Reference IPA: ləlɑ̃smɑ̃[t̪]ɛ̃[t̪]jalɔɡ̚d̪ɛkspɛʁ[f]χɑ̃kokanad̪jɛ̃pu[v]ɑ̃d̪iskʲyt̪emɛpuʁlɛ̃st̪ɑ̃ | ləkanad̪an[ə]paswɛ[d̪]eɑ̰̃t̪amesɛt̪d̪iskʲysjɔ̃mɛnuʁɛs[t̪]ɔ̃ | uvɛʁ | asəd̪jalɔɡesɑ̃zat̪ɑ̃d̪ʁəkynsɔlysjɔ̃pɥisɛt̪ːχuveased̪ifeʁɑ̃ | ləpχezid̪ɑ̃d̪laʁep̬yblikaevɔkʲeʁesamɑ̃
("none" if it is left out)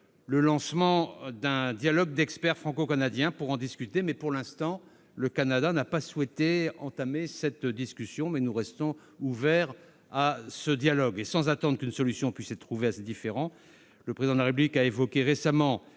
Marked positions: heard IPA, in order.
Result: d̪, d̪, f, ʁ, a, t̪, t̪

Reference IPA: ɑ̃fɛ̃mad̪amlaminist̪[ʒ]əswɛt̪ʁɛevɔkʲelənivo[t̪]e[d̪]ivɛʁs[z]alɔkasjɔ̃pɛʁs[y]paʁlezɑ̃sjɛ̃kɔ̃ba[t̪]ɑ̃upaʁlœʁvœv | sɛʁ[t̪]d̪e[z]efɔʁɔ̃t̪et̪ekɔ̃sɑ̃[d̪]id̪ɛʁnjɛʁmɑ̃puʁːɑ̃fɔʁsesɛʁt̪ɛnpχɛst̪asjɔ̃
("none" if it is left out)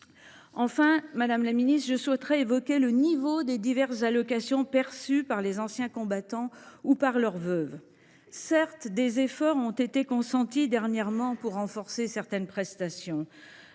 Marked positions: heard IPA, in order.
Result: ʒ, d̪, d̪, z, y, t̪, t̪, z, t̪

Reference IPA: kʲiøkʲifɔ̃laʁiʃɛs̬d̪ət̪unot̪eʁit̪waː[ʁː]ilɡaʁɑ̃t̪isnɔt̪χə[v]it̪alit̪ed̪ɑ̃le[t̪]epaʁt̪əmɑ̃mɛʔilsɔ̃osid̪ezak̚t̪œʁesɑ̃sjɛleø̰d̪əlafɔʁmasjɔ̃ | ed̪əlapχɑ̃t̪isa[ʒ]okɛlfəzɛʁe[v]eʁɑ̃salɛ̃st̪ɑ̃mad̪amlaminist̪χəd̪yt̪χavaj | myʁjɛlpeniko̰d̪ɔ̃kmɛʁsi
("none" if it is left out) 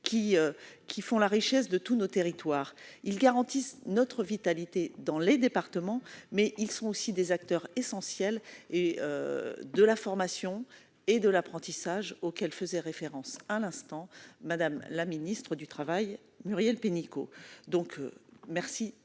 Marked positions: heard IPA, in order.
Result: ʁ, v, d̪, ʒ, f

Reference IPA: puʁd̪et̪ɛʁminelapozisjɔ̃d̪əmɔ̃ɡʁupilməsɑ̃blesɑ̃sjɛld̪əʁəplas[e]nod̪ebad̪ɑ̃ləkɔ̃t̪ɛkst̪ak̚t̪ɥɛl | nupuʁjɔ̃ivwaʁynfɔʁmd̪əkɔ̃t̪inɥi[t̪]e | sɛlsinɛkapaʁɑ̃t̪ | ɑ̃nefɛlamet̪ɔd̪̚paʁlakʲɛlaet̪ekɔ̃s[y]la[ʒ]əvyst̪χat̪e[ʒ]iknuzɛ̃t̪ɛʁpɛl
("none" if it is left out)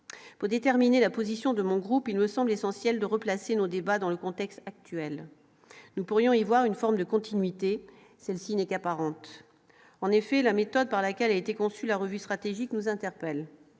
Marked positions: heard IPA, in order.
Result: e, t̪, y, ʁ, ʒ

